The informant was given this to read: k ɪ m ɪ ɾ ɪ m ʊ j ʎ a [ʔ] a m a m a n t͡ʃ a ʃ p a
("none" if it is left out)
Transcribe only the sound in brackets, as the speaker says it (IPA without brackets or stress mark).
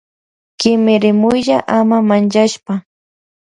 ʔ